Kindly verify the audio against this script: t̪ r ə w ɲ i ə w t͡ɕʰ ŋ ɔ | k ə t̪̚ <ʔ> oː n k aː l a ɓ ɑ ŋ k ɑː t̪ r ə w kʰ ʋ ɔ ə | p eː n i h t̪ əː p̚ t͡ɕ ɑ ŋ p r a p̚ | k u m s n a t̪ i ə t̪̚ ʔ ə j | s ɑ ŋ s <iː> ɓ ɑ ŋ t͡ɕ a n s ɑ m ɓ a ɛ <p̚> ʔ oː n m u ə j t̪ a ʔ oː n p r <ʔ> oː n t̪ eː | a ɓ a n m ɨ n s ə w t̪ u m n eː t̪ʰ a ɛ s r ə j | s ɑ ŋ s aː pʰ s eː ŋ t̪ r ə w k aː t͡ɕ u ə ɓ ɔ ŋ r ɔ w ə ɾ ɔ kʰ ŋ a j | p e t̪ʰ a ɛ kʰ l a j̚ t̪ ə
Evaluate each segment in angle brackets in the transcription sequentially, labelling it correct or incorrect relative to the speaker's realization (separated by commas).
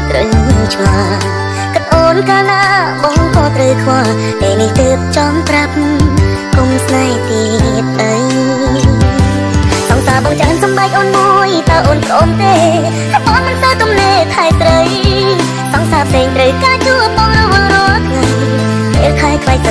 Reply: correct, incorrect, incorrect, correct